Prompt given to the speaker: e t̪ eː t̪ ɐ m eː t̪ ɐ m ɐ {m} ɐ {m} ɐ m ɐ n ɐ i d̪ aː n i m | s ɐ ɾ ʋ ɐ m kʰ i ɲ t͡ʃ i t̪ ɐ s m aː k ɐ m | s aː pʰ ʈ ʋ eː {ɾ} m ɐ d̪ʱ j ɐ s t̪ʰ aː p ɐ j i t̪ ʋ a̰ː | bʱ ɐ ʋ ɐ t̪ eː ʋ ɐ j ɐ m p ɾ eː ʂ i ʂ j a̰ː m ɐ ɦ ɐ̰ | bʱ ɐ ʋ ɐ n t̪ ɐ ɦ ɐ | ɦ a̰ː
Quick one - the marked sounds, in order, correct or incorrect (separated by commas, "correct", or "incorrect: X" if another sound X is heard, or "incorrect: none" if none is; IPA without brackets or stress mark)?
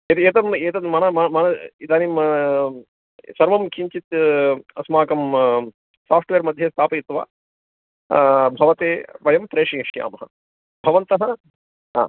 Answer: incorrect: n, correct, correct